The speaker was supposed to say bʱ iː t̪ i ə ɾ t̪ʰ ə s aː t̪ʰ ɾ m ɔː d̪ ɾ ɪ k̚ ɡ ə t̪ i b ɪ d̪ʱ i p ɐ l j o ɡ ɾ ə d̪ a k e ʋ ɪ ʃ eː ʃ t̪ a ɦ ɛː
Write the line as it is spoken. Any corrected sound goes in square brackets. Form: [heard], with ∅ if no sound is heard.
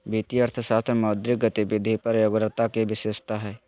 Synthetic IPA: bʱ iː t̪ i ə ɾ t̪ʰ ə s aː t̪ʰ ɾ m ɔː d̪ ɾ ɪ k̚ ɡ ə t̪ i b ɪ d̪ʱ i p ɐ [ɾ] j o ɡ ɾ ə [t̪] a k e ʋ ɪ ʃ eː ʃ t̪ a ɦ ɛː

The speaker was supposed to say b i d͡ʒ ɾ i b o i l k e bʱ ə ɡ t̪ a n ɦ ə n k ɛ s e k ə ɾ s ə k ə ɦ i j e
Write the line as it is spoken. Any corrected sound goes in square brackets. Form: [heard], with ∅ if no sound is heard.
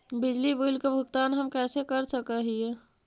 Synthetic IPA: b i d͡ʒ [l] i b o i l k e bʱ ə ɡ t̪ a n ɦ ə [m] k ɛ s e k ə ɾ s ə k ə ɦ i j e

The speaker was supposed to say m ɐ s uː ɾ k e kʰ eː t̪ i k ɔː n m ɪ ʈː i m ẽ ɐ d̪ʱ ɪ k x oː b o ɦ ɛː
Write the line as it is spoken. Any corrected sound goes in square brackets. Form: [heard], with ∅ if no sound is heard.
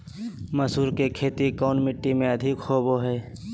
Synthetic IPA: m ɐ s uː ɾ k e kʰ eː t̪ i k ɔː n m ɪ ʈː i m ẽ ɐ d̪ʱ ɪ k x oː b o ɦ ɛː

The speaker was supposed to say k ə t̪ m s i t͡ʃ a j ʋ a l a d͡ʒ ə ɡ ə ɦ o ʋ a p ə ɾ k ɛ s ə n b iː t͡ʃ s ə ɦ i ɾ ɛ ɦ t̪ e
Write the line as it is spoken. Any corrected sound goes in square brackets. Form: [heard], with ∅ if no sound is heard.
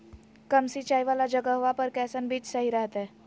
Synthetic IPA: k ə [∅] m s i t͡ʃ a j ʋ a l a d͡ʒ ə ɡ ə ɦ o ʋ a p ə ɾ k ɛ s ə n b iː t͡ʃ s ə ɦ i ɾ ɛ ɦ t̪ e

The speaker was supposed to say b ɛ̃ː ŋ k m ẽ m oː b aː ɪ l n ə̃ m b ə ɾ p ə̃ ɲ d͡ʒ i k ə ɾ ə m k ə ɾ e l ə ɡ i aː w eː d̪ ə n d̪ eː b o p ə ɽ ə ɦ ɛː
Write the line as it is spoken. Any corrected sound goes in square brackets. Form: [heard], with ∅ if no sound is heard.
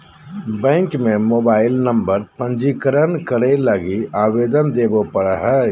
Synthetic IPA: b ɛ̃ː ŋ k m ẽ m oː b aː ɪ l n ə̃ m b ə ɾ p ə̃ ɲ d͡ʒ i k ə ɾ ə [n] k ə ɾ e l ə ɡ i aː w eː d̪ ə n d̪ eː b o p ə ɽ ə ɦ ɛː

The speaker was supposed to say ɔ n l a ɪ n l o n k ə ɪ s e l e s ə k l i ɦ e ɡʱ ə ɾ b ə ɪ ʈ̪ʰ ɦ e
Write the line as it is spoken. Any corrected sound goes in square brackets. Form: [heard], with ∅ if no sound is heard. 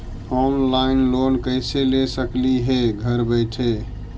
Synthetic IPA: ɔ n l a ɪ n l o n k ə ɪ s e l e s ə k l i ɦ e ɡʱ ə ɾ b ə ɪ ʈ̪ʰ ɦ e

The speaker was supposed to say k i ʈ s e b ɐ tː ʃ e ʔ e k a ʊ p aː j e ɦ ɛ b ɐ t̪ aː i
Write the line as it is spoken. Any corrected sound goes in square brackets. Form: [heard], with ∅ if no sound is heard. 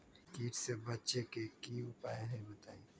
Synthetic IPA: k [iː] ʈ s e b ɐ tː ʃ e [k] e k [i] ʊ p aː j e ɦ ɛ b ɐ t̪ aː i

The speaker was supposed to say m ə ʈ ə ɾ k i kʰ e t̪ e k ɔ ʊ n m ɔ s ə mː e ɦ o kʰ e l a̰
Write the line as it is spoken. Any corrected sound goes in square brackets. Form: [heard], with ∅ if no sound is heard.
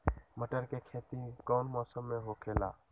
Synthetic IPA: m ə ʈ ə ɾ k [e] kʰ e t̪ [i] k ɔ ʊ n m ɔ s ə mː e ɦ o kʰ e l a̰

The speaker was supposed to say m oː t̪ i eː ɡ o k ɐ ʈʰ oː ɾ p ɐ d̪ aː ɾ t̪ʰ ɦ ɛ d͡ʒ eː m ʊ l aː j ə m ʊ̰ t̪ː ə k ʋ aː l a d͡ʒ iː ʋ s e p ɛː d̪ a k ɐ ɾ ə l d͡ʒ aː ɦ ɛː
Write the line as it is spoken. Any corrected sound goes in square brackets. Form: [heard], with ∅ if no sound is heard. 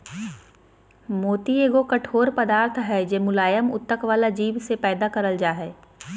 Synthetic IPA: m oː t̪ i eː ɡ o k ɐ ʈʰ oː ɾ p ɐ d̪ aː ɾ t̪ʰ ɦ ɛ d͡ʒ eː m ʊ l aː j ə m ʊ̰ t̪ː ə k ʋ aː l a d͡ʒ iː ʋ s e p ɛː d̪ a k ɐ ɾ ə l d͡ʒ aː ɦ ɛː

